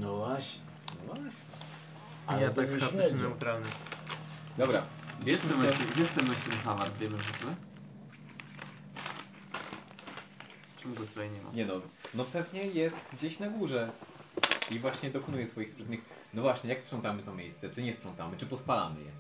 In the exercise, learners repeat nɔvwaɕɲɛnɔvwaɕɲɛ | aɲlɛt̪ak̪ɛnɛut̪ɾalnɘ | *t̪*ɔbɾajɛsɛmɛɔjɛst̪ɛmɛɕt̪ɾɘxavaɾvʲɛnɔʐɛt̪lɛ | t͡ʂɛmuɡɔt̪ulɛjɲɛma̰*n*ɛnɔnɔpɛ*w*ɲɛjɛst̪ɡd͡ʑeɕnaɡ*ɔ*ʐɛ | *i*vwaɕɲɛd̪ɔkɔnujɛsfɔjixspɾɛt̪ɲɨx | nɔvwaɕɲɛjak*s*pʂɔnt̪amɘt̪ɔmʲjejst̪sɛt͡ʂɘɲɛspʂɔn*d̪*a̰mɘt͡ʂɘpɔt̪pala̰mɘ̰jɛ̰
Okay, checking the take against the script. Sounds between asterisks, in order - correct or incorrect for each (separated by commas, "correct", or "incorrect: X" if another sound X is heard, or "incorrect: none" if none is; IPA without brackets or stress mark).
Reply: incorrect: d̪, incorrect: ɲ, incorrect: v, incorrect: u, correct, correct, incorrect: t̪